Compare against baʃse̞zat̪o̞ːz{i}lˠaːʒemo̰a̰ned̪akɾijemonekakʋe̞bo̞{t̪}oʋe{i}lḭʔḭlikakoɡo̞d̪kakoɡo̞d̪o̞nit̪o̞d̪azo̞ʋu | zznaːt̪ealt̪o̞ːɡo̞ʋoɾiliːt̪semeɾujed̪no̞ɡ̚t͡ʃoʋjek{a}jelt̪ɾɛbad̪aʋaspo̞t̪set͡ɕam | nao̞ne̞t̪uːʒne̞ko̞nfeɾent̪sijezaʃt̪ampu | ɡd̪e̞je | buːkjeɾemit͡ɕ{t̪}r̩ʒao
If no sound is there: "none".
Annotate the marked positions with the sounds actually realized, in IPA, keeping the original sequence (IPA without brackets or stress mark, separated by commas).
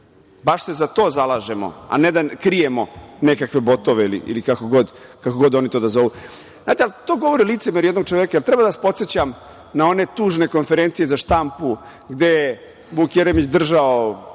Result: a, t̪, i, a, d̪